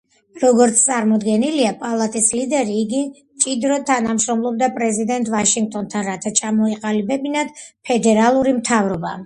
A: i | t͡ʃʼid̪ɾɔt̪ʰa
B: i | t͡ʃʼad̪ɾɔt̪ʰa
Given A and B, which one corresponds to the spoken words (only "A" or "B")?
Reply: A